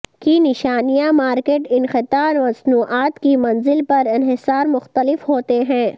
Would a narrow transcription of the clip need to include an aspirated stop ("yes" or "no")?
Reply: no